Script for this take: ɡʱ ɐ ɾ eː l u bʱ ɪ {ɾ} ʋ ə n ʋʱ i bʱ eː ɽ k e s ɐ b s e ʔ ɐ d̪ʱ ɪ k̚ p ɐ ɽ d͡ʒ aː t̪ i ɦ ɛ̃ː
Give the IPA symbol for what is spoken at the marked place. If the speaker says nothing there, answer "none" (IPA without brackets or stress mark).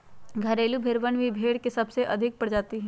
ɾ